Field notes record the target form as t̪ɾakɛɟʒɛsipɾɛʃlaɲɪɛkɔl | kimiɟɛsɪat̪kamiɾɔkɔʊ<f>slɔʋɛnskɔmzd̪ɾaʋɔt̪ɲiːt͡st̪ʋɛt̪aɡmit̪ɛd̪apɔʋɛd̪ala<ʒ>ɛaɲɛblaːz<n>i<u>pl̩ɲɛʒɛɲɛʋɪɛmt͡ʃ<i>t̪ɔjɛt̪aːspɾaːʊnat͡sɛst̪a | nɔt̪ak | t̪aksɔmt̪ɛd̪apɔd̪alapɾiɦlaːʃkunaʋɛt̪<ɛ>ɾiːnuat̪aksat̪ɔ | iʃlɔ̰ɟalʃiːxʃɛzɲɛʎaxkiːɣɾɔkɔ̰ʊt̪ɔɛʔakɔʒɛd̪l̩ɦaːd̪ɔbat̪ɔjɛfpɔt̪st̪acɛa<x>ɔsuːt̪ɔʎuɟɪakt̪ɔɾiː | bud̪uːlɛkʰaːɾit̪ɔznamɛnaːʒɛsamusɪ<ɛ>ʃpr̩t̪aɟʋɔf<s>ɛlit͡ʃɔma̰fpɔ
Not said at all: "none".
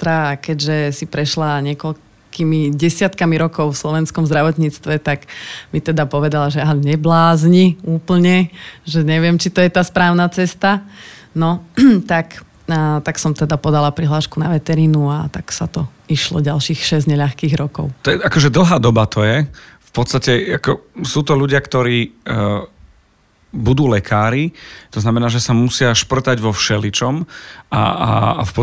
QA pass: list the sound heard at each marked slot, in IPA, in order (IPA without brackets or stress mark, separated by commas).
f, ʒ, ɲ, uː, i, ɛ, k, a, ʃ